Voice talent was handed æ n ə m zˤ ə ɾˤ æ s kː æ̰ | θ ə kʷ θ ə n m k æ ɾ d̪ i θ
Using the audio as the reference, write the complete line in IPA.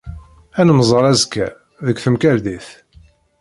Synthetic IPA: æ n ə m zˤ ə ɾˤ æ z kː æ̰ | ð ə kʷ θ ə m k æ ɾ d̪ i θ